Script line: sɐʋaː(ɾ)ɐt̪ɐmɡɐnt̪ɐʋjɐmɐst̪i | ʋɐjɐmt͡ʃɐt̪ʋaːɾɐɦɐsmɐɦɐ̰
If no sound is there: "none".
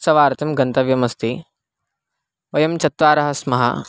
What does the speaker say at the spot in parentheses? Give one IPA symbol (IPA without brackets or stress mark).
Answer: ɾ